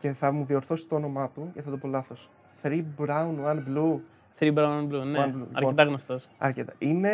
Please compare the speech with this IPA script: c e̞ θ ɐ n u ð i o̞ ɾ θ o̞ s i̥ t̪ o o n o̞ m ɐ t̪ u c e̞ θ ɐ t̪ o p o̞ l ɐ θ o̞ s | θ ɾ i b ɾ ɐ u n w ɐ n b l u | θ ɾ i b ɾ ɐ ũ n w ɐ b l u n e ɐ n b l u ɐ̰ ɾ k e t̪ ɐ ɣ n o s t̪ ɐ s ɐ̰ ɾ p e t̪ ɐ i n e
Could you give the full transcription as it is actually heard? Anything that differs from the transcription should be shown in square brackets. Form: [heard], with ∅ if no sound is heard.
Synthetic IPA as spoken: c e̞ θ ɐ [m] u ð i o̞ ɾ θ o̞ s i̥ t̪ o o n o̞ m ɐ t̪ u c e̞ θ ɐ t̪ o p o̞ l ɐ θ o̞ s | θ ɾ i b ɾ ɐ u n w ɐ n b l u | θ ɾ i b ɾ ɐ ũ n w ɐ b l u n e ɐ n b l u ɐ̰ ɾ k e t̪ ɐ ɣ n o s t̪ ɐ s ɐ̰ ɾ [c] e t̪ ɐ i n e